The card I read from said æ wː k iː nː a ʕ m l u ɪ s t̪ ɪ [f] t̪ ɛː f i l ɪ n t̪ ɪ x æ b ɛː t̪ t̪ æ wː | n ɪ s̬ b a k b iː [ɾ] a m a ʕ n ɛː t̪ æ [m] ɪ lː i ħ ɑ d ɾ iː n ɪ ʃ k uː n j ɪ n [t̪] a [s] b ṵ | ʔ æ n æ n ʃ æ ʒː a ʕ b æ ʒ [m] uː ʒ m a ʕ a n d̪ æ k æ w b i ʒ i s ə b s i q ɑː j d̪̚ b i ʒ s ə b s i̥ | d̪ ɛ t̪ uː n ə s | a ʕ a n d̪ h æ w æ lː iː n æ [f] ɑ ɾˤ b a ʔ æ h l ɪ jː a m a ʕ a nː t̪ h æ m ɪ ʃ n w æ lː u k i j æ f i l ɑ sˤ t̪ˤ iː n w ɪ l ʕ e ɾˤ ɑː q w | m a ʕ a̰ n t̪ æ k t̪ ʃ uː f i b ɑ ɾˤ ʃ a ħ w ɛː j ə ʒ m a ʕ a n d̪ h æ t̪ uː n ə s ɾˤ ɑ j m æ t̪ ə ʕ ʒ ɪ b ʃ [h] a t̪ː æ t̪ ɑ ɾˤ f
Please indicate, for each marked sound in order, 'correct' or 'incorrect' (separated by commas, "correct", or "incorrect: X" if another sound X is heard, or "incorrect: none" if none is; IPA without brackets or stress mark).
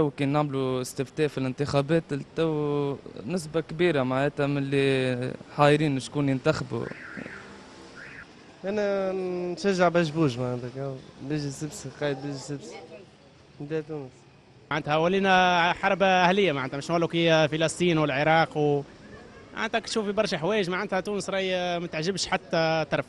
correct, correct, correct, correct, incorrect: x, incorrect: b, incorrect: ħ, incorrect: ħ